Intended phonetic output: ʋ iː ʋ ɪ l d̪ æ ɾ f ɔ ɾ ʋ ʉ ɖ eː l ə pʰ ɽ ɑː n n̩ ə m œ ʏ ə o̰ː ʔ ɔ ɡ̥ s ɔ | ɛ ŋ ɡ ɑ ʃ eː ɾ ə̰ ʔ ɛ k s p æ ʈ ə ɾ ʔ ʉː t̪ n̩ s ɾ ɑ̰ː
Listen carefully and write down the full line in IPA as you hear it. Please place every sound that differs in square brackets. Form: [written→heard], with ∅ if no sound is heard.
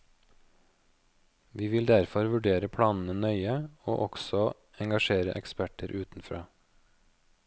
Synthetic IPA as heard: ʋ iː ʋ ɪ l d̪ æ ɾ f ɔ ɾ ʋ ʉ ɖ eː [l→ɾ] ə pʰ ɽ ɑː n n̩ ə [m→n] œ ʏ ə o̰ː ʔ ɔ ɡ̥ s ɔ | ɛ ŋ ɡ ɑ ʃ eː ɾ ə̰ ʔ ɛ k s p æ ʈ ə ɾ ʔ ʉː t̪ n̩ [s→f] ɾ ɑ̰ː

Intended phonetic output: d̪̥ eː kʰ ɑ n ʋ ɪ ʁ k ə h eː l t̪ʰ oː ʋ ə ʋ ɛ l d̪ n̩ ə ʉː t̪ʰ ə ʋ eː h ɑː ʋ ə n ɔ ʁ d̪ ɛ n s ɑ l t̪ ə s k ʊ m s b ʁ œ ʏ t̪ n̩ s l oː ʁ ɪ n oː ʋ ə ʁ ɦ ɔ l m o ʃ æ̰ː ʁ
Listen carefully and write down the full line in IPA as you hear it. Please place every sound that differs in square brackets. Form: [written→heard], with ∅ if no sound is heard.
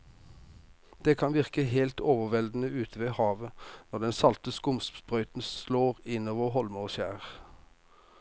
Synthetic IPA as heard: d̪̥ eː kʰ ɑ n ʋ ɪ ʁ k ə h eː l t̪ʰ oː ʋ ə ʋ ɛ l d̪ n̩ ə ʉː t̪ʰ ə ʋ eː h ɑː ʋ ə n ɔ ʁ d̪ ɛ n s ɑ l t̪ ə s k ʊ m s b ʁ œ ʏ t̪ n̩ s l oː ʁ ɪ n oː ʋ ə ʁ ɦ ɔ l m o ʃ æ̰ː ʁ

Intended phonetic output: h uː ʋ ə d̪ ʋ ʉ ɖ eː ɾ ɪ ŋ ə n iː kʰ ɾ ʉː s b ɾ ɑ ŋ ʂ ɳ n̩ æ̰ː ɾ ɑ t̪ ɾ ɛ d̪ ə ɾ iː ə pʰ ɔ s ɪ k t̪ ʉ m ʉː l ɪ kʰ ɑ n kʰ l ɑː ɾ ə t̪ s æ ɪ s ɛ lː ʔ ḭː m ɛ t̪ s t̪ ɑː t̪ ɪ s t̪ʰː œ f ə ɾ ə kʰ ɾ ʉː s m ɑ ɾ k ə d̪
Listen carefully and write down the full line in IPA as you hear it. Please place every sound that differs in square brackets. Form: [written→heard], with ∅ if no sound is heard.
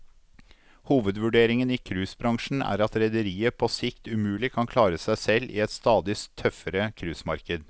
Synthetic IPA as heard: h uː ʋ ə d̪ ʋ ʉ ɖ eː ɾ ɪ ŋ ə n iː kʰ ɾ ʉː s b ɾ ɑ ŋ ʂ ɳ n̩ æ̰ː ɾ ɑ t̪ ɾ ɛ d̪ ə ɾ iː ə pʰ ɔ s ɪ k t̪ ʉ m ʉː l ɪ kʰ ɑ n kʰ l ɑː ɾ ə [t̪→∅] s æ ɪ s ɛ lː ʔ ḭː [m→∅] ɛ t̪ s t̪ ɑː [t̪→d̪] ɪ s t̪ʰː œ f ə ɾ ə kʰ ɾ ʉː s m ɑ ɾ k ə d̪

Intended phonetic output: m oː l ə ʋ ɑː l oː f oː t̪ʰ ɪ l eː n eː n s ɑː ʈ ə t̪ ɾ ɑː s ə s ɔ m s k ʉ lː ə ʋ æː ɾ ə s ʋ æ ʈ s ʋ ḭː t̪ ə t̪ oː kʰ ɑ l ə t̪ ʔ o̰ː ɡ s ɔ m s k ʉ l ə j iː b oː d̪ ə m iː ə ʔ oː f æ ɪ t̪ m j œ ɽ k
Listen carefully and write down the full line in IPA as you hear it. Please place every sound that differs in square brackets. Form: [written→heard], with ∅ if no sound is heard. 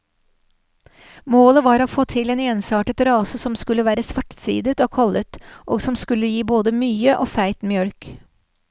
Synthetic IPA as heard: m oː l ə ʋ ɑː [l→ɾ] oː f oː t̪ʰ ɪ l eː n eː n s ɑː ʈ ə t̪ ɾ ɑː s ə s ɔ m s k ʉ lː ə ʋ æː ɾ ə s ʋ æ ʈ s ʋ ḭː [t̪→d̪] ə t̪ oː kʰ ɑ l ə t̪ ʔ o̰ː ɡ s ɔ m s k ʉ l ə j iː b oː d̪ ə m [iː→yː] ə ʔ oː f æ ɪ t̪ m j œ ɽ k

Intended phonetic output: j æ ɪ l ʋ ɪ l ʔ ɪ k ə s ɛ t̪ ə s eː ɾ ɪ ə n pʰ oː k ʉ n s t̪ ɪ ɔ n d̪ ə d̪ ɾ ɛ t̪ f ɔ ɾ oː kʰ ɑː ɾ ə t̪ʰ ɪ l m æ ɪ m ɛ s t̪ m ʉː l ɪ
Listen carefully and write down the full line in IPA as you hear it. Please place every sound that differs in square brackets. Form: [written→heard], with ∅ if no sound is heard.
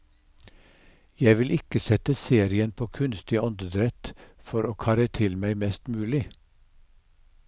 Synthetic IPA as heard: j æ ɪ [l→∅] ʋ ɪ l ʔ ɪ k ə s ɛ t̪ ə s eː ɾ ɪ ə n pʰ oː [k→kʰ] ʉ n s t̪ ɪ ɔ n d̪ ə d̪ ɾ ɛ t̪ f ɔ ɾ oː kʰ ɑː ɾ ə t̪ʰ ɪ l m æ ɪ m ɛ s t̪ m ʉː l ɪ

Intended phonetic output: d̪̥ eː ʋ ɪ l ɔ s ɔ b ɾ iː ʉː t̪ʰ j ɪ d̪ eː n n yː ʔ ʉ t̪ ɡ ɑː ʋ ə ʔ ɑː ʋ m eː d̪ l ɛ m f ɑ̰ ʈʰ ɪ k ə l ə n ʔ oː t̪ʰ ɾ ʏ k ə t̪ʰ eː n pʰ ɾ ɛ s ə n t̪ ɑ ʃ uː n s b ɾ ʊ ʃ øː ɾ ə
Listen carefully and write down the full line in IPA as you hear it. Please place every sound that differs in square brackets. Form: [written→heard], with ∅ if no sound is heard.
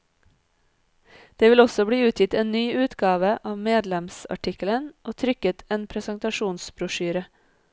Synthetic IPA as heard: d̪̥ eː ʋ ɪ l ɔ s ɔ b [ɾ→ɽ] iː ʉː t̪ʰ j ɪ [d̪→t̪] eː n n yː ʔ [ʉ→ʉː] t̪ ɡ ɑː ʋ ə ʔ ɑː ʋ m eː d̪ l ɛ m [f→s] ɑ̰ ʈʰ ɪ k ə l ə n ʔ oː t̪ʰ ɾ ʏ k ə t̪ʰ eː n pʰ ɾ ɛ s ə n t̪ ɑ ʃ uː n s b ɾ ʊ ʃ [øː→yː] ɾ ə

